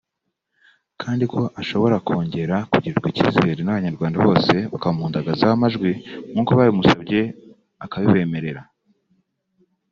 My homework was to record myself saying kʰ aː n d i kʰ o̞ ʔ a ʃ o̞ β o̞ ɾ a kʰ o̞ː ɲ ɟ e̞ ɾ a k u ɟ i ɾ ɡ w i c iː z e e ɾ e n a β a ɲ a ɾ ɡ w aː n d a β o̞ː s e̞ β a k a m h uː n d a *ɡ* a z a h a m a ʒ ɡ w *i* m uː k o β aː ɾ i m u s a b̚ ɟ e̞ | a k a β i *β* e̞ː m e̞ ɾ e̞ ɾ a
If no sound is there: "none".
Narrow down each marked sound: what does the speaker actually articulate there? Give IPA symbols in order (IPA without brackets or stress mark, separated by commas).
ɡ, i, β